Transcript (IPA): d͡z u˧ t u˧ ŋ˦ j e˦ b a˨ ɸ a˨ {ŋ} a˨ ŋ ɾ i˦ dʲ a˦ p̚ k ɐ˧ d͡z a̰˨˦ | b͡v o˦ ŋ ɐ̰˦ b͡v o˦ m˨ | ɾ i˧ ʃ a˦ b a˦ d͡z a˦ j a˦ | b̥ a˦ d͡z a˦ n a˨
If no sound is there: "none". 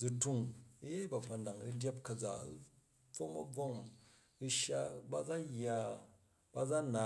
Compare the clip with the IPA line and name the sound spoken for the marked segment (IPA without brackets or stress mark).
n